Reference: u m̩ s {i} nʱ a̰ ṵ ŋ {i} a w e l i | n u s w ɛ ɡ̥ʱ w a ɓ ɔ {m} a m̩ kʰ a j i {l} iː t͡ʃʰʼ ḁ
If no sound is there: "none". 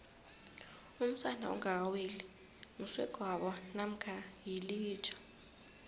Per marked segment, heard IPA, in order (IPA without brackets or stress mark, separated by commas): a, a, n, l